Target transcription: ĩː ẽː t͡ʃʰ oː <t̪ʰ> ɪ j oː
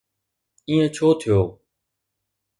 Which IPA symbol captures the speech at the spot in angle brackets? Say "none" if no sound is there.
t̪ʰ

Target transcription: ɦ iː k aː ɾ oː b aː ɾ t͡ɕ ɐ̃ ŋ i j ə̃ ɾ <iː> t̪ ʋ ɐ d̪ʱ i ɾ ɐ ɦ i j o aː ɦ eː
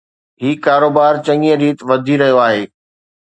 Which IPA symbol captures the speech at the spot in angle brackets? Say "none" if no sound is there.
iː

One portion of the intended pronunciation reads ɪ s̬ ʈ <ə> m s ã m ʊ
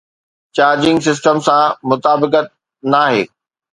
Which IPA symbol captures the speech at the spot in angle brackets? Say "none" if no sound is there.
ə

